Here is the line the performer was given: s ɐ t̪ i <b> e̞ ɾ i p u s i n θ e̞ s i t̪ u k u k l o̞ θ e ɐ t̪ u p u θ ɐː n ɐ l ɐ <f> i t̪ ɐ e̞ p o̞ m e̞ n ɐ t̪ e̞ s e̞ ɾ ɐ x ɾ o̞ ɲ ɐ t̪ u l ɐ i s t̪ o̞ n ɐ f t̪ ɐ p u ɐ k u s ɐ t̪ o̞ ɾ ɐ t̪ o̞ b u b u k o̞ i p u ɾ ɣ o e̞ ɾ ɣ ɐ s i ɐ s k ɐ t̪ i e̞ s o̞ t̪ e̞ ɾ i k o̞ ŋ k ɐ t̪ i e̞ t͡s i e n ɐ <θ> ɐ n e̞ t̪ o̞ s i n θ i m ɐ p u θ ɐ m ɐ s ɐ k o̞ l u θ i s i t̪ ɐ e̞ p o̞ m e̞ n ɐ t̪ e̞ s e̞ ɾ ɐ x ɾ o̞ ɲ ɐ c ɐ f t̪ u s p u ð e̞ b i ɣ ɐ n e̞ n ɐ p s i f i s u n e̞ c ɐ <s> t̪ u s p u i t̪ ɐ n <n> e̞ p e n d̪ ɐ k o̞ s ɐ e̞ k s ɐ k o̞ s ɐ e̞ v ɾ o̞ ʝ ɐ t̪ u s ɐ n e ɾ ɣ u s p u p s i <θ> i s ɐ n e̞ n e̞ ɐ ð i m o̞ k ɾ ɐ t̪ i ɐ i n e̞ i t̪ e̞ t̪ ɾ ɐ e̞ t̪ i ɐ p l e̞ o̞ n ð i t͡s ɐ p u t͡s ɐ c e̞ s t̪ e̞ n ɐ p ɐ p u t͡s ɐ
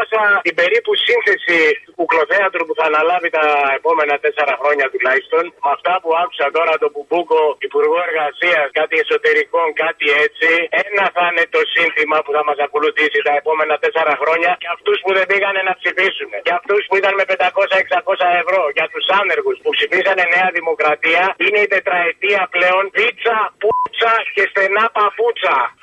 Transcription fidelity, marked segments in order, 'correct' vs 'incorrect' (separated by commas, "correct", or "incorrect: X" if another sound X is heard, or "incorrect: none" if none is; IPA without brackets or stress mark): correct, incorrect: v, correct, incorrect: f, incorrect: m, incorrect: f